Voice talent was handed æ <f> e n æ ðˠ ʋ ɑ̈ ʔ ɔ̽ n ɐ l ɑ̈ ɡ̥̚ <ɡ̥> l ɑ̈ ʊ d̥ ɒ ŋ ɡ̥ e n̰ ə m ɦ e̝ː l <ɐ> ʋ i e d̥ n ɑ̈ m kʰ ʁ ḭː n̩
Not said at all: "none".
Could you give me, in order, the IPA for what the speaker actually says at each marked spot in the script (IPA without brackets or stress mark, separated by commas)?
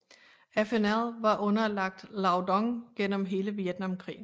f, d̥, ə